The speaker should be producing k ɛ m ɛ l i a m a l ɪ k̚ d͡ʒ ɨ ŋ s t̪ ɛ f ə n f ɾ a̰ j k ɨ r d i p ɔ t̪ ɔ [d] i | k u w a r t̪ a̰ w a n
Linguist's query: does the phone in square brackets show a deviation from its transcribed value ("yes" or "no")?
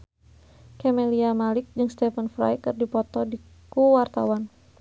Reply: no